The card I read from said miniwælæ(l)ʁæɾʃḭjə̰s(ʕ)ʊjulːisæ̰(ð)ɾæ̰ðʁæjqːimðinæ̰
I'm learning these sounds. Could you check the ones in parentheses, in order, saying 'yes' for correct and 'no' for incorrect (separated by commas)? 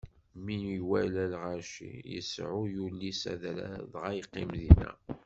yes, yes, yes